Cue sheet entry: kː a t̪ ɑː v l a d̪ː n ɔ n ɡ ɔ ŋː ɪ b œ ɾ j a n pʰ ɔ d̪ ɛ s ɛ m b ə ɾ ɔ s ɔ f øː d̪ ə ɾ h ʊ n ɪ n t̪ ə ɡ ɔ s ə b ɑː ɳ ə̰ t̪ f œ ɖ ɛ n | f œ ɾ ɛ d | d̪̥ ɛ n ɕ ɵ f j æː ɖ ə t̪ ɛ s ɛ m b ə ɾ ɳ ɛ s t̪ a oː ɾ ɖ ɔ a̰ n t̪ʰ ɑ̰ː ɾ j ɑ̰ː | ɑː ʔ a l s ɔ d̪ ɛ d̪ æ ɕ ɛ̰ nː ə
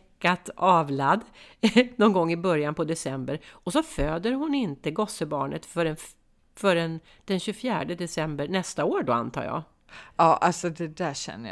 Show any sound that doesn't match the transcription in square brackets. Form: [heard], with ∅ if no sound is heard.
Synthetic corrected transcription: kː a t̪ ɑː v l a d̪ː n ɔ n ɡ ɔ ŋː ɪ b œ ɾ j a n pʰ ɔ d̪ ɛ s ɛ m b ə ɾ ɔ s ɔ f øː d̪ ə ɾ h ʊ n ɪ n t̪ ə ɡ ɔ s ə b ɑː ɳ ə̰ t̪ f œ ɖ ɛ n | f œ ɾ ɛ [n] | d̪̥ ɛ n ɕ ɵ f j æː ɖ ə [d̪] ɛ s ɛ m b ə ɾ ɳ ɛ s t̪ a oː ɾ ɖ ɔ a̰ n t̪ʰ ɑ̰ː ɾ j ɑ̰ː | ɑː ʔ a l s ɔ d̪ ɛ d̪ æ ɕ ɛ̰ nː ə